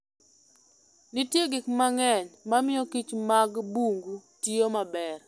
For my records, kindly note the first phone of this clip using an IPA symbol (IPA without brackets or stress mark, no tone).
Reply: n